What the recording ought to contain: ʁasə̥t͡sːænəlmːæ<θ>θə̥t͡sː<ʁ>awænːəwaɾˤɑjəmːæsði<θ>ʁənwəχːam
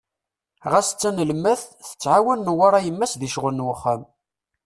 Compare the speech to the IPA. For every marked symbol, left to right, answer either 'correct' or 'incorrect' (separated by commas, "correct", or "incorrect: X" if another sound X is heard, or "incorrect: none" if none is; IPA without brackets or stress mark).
correct, incorrect: ʕ, incorrect: ʃ